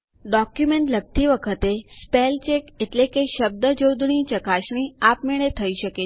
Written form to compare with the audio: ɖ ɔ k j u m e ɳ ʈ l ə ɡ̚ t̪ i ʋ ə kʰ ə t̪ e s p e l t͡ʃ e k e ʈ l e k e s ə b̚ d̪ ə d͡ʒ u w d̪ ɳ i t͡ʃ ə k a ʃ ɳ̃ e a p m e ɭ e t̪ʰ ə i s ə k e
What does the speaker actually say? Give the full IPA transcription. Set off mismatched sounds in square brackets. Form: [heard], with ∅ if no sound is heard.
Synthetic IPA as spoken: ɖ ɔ k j u m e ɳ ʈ l ə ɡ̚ t̪ i ʋ ə kʰ ə t̪ e s p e l t͡ʃ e k e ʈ l e k e [ʃ] ə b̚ d̪ ə d͡ʒ [o] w d̪ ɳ i t͡ʃ ə k a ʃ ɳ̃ [i] a p m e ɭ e t̪ʰ ə i [ʃ] ə k e